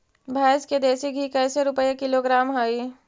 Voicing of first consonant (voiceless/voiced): voiced